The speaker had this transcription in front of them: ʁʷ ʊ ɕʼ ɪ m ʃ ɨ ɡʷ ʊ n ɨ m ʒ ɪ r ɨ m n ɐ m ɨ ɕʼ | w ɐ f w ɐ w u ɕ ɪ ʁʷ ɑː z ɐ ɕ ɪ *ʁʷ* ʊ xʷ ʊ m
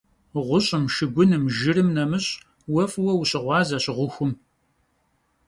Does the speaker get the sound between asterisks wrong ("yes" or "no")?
no